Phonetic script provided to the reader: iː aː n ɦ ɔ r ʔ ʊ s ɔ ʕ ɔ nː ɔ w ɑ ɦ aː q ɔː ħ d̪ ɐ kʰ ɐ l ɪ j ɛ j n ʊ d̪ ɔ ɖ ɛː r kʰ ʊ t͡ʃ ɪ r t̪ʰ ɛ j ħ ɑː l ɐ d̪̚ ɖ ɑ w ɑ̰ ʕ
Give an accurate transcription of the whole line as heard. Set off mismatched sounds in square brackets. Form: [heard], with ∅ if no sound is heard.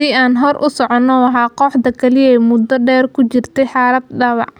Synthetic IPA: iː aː n ɦ ɔ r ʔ ʊ s ɔ ʕ ɔ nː ɔ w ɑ ɦ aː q ɔː ħ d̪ ɐ kʰ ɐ l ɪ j ɛ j [m] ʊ d̪ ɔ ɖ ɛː r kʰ ʊ t͡ʃ ɪ r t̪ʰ ɛ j ħ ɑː l ɐ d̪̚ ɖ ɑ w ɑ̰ ʕ